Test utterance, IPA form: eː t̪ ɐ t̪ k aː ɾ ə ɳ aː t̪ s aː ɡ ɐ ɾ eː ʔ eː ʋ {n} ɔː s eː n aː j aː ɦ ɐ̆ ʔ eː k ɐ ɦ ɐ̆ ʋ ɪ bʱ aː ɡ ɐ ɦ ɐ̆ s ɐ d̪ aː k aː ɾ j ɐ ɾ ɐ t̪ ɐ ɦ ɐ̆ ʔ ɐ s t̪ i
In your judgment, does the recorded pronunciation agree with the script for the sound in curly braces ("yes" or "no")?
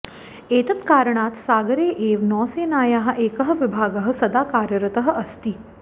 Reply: yes